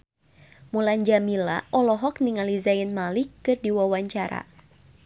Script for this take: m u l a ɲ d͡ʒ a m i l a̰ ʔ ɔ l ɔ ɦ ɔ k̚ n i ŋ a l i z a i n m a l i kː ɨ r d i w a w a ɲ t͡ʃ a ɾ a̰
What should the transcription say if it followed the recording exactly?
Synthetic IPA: m u l a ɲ d͡ʒ a m i l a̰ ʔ ɔ l ɔ ɦ ɔ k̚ n i ŋ a l i z a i n m a l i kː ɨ r d i w a w a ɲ t͡ʃ a ɾ a̰